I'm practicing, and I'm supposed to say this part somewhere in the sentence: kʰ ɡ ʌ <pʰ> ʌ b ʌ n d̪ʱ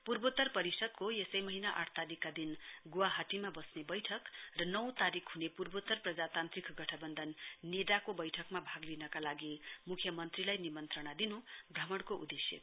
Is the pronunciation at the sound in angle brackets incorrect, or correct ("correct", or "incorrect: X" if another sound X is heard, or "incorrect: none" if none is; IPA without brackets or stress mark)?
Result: incorrect: ʈʰ